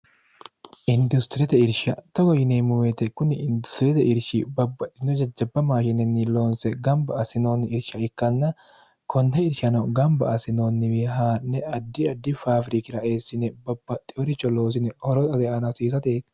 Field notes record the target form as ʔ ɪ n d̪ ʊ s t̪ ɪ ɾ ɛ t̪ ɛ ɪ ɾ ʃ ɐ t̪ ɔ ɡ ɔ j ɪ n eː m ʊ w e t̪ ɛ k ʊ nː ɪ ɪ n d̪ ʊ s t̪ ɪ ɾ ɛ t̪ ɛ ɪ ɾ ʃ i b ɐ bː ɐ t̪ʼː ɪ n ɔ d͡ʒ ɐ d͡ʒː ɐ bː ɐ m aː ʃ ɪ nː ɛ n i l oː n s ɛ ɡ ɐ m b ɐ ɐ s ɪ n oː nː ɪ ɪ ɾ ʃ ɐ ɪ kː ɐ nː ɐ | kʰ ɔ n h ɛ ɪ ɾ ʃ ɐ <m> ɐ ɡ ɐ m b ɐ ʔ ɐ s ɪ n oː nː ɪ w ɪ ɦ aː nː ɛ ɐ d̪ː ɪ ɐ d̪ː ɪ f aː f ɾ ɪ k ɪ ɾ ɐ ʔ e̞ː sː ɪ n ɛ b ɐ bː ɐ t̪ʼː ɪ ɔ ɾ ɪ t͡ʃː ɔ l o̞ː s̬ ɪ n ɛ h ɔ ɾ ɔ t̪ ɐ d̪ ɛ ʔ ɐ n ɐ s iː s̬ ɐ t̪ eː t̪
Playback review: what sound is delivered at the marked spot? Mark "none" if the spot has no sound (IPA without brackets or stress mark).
n